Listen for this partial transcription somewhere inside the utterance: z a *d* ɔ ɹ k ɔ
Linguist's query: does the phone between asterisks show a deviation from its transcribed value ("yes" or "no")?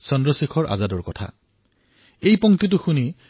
no